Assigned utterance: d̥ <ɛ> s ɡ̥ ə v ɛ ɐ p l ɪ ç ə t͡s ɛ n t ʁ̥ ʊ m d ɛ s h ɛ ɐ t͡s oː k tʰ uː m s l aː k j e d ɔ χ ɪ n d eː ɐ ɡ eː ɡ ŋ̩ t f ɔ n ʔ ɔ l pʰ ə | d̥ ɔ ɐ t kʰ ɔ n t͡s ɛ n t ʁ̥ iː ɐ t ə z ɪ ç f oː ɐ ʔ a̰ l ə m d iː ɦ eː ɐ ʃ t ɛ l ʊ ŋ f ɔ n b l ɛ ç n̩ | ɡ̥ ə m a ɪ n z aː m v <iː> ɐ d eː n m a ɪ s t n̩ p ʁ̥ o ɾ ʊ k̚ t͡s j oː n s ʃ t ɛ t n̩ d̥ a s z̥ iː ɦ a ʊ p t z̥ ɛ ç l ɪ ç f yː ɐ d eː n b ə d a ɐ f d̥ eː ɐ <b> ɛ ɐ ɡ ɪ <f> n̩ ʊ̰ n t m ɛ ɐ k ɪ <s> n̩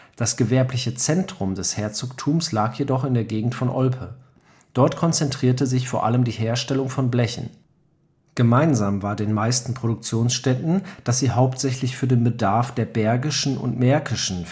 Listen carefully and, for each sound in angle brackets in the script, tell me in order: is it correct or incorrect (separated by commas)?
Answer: incorrect, incorrect, correct, incorrect, incorrect